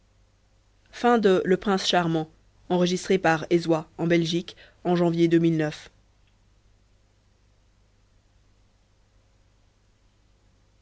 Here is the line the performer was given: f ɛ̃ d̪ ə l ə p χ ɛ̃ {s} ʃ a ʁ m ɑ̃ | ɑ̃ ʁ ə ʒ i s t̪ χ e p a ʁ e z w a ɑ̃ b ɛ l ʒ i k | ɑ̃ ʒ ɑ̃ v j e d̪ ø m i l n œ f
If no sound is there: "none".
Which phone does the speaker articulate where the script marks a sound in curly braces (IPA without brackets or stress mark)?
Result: s